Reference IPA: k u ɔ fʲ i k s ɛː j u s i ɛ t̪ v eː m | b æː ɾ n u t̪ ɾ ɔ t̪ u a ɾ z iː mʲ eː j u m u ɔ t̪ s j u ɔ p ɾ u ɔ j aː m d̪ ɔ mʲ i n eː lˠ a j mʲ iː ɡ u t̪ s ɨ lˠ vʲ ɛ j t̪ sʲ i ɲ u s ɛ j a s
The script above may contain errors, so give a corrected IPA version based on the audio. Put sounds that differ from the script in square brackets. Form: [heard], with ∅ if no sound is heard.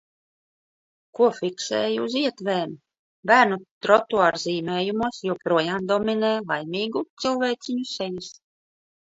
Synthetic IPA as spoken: k u ɔ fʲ i k s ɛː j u [z] i ɛ t̪ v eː m | b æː ɾ n u t̪ ɾ ɔ t̪ u a ɾ z iː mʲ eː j u m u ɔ [∅] s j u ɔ p ɾ u ɔ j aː m d̪ ɔ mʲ i n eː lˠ a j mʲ iː ɡ u t̪ s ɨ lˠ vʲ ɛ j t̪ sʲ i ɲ u s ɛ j [i] s